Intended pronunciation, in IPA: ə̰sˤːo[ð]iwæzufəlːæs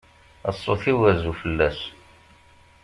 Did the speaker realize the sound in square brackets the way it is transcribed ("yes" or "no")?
no